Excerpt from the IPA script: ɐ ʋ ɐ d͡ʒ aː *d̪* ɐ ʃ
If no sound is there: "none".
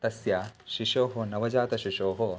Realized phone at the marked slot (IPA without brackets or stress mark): t̪